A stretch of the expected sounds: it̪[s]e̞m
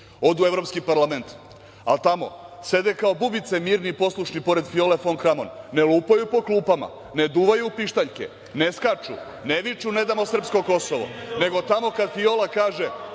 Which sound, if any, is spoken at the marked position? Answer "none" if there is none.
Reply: s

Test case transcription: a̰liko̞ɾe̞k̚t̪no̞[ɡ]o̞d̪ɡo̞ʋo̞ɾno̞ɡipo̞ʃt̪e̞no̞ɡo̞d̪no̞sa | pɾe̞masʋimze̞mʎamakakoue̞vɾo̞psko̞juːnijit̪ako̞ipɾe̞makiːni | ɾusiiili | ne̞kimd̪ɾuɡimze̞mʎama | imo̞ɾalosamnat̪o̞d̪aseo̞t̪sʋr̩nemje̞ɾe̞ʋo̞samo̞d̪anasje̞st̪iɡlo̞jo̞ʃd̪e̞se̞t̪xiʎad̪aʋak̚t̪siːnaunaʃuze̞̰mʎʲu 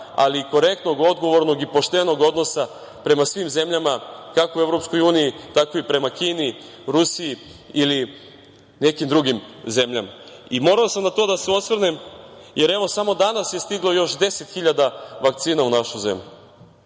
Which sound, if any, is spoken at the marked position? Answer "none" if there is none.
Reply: ɡ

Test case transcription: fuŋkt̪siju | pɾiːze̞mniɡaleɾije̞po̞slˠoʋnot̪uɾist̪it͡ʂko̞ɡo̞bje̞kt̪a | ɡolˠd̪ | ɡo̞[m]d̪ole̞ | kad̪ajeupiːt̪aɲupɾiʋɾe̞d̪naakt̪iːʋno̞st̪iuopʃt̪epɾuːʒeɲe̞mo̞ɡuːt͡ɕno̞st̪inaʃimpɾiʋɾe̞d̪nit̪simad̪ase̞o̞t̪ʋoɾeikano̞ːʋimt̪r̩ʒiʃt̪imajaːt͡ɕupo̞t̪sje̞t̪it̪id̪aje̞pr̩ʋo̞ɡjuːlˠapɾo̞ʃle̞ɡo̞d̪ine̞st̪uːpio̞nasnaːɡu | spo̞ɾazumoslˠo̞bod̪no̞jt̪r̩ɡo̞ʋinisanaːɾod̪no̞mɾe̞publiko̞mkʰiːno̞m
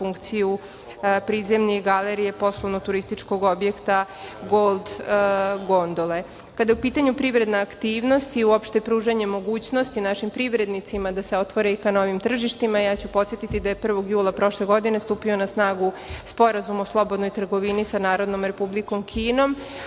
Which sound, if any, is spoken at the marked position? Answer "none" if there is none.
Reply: n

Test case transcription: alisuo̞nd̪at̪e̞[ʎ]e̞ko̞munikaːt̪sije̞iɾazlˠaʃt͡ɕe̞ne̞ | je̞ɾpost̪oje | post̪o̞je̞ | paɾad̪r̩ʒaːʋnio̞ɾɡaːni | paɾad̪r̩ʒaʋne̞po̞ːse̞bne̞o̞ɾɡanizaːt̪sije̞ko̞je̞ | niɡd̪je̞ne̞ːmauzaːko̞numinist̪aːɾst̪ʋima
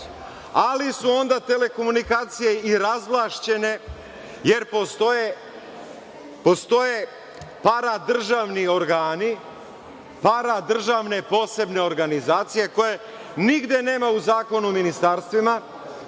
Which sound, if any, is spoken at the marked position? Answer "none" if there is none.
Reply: l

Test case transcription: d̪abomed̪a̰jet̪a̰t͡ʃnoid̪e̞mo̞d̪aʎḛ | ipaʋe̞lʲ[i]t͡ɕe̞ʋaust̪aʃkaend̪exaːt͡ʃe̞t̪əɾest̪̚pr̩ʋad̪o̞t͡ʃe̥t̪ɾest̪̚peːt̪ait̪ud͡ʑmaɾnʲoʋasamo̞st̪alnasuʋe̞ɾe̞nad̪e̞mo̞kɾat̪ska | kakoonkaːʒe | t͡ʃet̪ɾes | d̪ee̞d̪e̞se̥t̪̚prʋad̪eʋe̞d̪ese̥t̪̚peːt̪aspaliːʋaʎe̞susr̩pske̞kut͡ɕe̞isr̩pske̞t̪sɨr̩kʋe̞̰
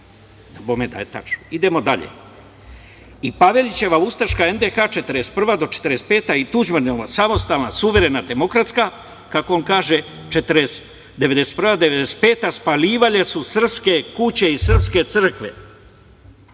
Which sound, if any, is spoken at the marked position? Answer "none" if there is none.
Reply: i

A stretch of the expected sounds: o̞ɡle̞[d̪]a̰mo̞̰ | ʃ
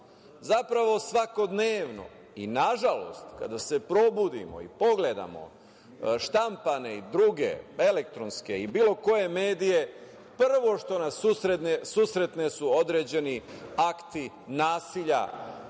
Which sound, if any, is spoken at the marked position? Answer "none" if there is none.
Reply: d̪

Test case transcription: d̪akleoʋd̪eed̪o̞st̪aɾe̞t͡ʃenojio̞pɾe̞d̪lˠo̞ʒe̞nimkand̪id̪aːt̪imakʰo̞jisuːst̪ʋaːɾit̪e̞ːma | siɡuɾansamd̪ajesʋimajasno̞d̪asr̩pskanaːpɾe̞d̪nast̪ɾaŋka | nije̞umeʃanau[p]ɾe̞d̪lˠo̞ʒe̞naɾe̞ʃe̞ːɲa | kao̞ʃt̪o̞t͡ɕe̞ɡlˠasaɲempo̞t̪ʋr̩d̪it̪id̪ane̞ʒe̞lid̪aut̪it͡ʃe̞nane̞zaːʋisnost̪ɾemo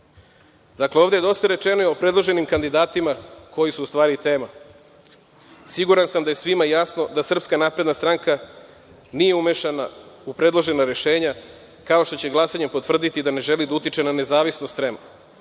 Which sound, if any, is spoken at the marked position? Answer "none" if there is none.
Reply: p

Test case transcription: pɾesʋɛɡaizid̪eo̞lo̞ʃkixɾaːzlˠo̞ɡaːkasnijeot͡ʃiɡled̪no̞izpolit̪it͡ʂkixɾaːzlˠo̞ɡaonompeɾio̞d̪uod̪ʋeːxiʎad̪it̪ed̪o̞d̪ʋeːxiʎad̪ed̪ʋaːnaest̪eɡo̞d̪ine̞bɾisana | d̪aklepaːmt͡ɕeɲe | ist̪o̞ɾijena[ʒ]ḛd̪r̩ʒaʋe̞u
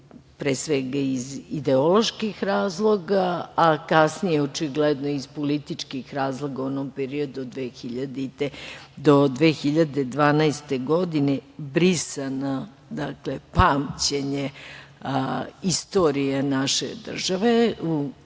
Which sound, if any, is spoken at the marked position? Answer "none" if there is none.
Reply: ʃ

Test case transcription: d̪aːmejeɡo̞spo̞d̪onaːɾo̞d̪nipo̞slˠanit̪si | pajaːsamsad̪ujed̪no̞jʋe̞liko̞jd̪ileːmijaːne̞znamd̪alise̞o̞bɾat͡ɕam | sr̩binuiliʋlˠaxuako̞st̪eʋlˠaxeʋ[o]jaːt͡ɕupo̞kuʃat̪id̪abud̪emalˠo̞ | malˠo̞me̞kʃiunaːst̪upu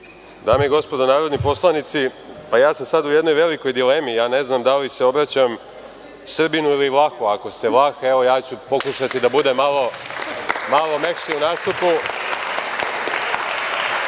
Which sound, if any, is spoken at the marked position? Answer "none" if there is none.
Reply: o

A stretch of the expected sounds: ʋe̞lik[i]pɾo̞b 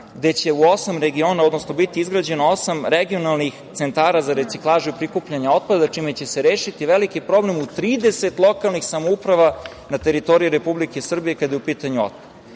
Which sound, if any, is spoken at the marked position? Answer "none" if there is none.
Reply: i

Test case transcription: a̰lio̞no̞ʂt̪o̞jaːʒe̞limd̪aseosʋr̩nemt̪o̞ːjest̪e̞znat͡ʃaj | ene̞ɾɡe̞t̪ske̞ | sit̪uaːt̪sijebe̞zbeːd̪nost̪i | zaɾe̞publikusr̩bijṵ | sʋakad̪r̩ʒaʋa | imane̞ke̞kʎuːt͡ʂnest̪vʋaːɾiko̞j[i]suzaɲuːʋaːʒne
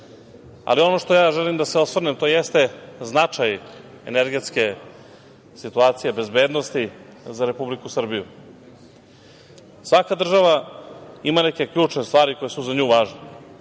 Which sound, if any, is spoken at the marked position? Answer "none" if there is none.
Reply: e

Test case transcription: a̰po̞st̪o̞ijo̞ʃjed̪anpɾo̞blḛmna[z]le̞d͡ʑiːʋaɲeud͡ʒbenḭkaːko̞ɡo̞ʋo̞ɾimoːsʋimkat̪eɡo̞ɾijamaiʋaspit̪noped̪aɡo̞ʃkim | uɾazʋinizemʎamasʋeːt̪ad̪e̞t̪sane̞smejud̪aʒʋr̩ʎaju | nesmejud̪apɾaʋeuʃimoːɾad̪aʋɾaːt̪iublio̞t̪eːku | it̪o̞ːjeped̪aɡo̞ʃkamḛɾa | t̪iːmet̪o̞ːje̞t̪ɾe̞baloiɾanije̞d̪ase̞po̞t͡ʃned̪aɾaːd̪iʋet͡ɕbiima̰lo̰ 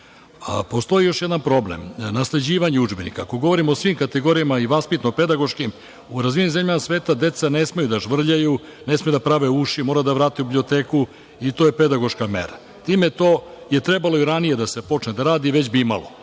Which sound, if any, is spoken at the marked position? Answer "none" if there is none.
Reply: s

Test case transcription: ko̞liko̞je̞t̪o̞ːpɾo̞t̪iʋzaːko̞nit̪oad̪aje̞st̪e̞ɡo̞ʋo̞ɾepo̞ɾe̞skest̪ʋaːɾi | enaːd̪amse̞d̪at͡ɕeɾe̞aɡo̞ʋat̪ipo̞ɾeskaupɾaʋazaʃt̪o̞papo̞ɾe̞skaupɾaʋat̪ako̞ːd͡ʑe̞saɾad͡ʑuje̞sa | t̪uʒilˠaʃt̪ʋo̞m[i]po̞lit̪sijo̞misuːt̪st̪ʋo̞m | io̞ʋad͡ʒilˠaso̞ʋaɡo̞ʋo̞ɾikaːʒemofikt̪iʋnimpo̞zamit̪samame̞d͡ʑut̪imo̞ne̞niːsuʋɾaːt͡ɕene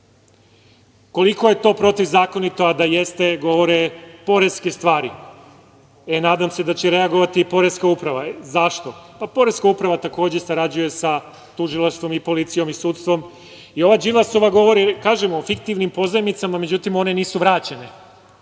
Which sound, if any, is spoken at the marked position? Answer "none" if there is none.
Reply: i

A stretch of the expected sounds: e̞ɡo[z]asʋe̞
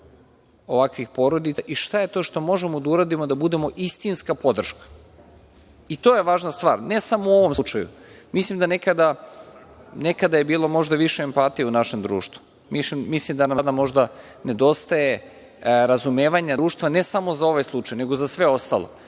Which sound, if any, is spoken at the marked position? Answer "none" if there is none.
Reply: z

